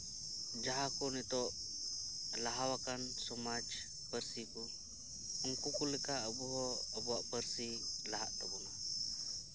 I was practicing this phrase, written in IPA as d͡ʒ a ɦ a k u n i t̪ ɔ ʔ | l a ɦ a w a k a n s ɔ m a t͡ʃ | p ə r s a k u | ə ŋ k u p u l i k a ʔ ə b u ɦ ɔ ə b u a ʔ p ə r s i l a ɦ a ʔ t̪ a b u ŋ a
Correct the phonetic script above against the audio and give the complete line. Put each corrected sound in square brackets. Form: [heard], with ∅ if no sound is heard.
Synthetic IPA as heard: d͡ʒ a ɦ a k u n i t̪ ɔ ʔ | l a ɦ a w a k a n s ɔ m a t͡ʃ | p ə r s [i] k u | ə ŋ k u [k] u l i k a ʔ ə b u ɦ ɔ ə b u a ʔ p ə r s i l a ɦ a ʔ t̪ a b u [n] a

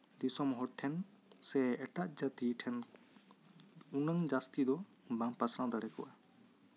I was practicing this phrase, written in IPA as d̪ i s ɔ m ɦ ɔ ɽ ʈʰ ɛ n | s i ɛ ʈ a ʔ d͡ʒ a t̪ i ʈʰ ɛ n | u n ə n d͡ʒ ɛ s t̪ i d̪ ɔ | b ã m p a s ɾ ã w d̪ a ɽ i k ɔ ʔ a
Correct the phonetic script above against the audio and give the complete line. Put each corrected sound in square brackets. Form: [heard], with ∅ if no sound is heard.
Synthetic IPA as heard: d̪ i s ɔ m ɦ ɔ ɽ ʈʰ ɛ n | s [ɛ] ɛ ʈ a ʔ d͡ʒ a t̪ i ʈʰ ɛ n | u n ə [ŋ] d͡ʒ [a] s t̪ i d̪ ɔ | b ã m p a s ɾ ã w d̪ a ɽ [ɛ] k ɔ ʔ a

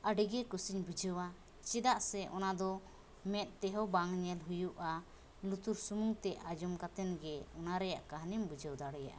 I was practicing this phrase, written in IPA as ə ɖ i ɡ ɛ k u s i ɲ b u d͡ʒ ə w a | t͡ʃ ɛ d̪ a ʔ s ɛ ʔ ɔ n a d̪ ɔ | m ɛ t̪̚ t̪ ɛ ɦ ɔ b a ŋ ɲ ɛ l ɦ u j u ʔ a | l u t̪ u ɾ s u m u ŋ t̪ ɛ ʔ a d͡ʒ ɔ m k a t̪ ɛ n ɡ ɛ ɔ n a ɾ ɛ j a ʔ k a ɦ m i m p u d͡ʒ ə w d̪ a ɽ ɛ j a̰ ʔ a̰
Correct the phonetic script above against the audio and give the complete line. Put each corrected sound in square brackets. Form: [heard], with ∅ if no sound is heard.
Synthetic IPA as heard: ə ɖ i ɡ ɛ k u s i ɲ b u d͡ʒ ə w a | t͡ʃ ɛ d̪ a ʔ s ɛ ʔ ɔ n a d̪ ɔ | m ɛ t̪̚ t̪ ɛ ɦ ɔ b a ŋ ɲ ɛ l ɦ u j u ʔ a | l u t̪ u ɾ s u m u ŋ t̪ ɛ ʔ a d͡ʒ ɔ m k a t̪ ɛ n ɡ ɛ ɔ n a ɾ ɛ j a ʔ k a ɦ [n] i m [b] u d͡ʒ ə w d̪ a ɽ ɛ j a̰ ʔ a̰

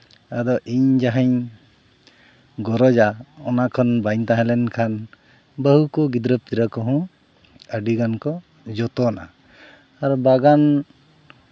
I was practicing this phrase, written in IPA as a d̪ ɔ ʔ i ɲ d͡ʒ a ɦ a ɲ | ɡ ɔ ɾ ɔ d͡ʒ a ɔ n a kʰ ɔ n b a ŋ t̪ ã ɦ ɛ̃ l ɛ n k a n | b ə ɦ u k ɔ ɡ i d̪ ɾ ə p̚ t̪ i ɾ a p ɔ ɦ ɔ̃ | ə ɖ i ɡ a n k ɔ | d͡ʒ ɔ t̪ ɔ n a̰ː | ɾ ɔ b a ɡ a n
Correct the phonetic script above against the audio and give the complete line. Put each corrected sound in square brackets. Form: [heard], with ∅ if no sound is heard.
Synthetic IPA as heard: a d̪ ɔ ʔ i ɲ d͡ʒ a ɦ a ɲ | ɡ ɔ ɾ ɔ d͡ʒ a ɔ n a kʰ ɔ n b a [ɲ] t̪ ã ɦ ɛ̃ l ɛ n [kʰ] a n | b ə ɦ u k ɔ ɡ i d̪ ɾ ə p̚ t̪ i ɾ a [k] ɔ ɦ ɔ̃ | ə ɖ i ɡ a n k ɔ | d͡ʒ ɔ t̪ ɔ n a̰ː | ɾ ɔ b a ɡ a n

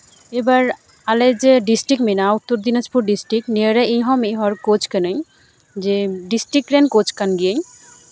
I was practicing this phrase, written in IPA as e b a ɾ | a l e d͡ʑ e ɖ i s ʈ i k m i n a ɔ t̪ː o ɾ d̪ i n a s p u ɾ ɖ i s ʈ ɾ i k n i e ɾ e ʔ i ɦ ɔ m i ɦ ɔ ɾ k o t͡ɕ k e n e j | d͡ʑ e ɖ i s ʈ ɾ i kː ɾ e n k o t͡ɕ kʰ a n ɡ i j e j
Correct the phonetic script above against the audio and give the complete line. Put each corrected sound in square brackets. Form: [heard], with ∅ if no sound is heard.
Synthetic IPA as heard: e b a ɾ | a l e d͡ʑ e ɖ i s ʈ i k m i n a [u] t̪ː o ɾ d̪ i n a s p u ɾ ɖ i s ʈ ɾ i k n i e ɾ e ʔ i ɦ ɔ m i ɦ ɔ ɾ k o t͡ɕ k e n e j | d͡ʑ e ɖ i s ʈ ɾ i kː ɾ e n k o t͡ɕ [k] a n ɡ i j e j

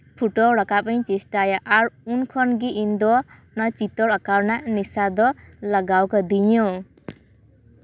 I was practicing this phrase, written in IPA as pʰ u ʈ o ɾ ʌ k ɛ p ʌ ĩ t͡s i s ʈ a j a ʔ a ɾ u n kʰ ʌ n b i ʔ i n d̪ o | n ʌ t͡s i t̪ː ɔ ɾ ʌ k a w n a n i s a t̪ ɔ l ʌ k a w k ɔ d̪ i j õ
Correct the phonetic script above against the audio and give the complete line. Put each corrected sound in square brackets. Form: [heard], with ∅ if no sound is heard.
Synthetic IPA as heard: pʰ u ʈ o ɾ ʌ k [a] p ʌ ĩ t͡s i s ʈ a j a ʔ a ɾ u n kʰ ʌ n [ɡ] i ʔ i n d̪ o | n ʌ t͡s i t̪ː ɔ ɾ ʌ k a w n a n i s a [d̪] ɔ l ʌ [ɡ] a w k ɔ d̪ i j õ

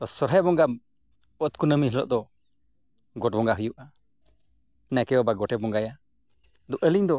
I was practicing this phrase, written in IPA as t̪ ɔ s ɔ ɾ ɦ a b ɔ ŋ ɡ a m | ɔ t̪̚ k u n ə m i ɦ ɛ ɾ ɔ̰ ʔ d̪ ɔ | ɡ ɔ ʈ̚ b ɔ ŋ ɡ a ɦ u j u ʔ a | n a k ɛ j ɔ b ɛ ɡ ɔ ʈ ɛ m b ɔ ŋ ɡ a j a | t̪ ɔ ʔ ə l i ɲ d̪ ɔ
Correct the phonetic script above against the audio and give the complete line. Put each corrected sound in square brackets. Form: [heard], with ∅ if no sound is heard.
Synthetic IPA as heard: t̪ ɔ s ɔ ɾ ɦ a b ɔ ŋ ɡ a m | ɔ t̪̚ k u n ə m i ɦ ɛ [l] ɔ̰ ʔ d̪ ɔ | ɡ ɔ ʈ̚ b ɔ ŋ ɡ a ɦ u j u ʔ a | n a k ɛ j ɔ b [a] ɡ ɔ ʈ ɛ [∅] b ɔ ŋ ɡ a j a | [d̪] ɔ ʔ ə l i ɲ d̪ ɔ

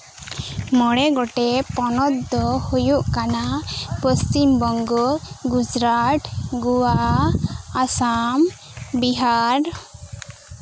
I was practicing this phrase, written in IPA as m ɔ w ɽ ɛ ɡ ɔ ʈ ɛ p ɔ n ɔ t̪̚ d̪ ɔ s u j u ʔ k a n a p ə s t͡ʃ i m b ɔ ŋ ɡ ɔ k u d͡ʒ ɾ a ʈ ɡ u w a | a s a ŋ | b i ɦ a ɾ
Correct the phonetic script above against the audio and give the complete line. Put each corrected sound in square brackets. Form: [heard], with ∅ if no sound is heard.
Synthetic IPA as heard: m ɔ [∅] ɽ ɛ ɡ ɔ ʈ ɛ p ɔ n ɔ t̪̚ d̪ ɔ [h] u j u ʔ k a n a p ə s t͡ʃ i m b ɔ ŋ ɡ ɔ [ɡ] u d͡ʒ ɾ a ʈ ɡ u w a | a s a [m] | b i ɦ a ɾ

